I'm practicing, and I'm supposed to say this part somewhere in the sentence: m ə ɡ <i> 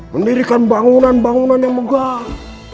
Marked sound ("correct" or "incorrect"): incorrect